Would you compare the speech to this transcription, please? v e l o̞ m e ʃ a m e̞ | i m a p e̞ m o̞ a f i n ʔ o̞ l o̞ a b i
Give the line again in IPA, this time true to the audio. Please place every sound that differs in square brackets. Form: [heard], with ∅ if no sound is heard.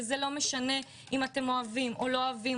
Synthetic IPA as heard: [z] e l o̞ m e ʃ a [n] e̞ | i m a [t] e̞ m o̞ a [v] i [m] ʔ o̞ l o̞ a [v] i